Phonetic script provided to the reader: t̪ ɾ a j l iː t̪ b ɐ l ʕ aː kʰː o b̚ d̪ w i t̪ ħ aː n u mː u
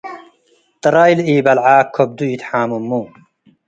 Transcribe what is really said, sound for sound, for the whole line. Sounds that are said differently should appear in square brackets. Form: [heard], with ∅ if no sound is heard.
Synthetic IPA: t̪ ɾ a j l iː [∅] b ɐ l ʕ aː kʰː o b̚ d̪ [u] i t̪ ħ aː [m] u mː u

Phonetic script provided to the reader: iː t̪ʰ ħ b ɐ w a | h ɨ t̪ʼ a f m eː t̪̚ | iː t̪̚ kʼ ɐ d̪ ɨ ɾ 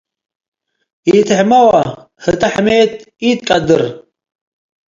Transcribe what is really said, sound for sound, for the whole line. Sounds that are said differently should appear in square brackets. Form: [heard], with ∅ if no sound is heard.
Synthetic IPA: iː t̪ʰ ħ [m] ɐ w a | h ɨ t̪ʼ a [ħ] m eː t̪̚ | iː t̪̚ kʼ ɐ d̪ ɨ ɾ

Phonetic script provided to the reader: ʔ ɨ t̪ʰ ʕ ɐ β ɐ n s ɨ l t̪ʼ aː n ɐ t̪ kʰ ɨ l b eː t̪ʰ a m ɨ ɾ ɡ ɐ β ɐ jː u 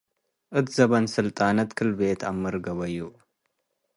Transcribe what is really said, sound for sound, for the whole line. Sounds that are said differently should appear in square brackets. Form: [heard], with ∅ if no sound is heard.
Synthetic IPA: ʔ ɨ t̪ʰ [z] ɐ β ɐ n s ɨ l t̪ʼ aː n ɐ t̪ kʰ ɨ l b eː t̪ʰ a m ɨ ɾ ɡ ɐ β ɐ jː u

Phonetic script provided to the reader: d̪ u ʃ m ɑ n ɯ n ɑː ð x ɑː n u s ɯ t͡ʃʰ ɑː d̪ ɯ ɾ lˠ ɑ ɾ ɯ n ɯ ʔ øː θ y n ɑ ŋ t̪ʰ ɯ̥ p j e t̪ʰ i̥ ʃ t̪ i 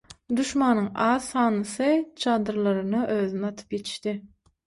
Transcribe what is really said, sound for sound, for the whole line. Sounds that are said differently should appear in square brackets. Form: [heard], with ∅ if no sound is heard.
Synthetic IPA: d̪ u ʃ m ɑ n ɯ [ŋ] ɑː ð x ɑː n [ɯ] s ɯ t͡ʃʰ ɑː d̪ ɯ ɾ lˠ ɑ ɾ ɯ n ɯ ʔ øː [ð] y n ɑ [∅] t̪ʰ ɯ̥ p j e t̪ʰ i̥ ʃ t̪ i

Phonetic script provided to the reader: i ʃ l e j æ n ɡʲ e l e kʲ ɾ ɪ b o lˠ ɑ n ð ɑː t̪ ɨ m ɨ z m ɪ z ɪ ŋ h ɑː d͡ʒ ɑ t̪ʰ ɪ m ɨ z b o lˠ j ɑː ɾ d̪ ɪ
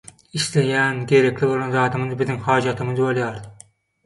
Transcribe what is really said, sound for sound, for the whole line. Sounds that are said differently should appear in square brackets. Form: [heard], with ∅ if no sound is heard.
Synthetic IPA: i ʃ l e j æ n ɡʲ e [ɾ] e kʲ [l] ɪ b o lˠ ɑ n [z] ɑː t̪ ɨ m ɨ z [b] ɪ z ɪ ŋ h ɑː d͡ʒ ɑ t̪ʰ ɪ m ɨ z b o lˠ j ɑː ɾ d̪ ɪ

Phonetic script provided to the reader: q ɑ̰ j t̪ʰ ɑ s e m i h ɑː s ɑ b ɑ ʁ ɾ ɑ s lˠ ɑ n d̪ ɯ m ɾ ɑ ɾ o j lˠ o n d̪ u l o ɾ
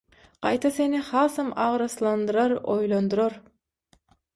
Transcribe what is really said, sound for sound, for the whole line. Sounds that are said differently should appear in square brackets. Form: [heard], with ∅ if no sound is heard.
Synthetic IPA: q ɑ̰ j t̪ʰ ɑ s e [n] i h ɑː s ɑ [m] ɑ ʁ ɾ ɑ s lˠ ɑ n d̪ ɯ [∅] ɾ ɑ ɾ o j lˠ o n d̪ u [ɾ] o ɾ

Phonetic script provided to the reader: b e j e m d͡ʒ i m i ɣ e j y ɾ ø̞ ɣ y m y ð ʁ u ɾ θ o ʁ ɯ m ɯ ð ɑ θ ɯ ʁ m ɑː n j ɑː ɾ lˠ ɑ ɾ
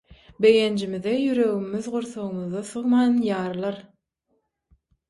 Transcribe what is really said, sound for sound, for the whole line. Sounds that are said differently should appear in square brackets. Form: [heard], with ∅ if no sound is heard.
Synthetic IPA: b e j e [n] d͡ʒ i m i [ð] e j y ɾ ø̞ ɣ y m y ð ʁ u ɾ θ o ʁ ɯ m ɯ ð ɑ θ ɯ ʁ m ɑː n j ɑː ɾ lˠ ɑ ɾ

